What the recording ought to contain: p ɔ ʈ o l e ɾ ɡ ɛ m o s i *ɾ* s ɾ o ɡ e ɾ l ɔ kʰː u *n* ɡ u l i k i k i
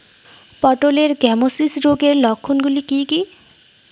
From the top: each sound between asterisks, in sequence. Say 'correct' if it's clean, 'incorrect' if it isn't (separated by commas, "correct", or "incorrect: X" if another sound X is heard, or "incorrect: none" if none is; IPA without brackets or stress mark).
incorrect: none, correct